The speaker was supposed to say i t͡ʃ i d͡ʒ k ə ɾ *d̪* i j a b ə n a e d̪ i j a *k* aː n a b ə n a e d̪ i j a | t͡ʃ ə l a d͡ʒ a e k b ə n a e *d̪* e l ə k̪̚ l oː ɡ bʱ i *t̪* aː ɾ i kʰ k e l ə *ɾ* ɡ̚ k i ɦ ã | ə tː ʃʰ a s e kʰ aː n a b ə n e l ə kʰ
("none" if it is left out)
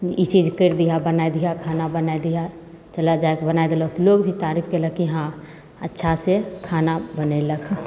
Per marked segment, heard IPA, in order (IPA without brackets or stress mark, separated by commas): d̪, kʰ, d̪, t̪, none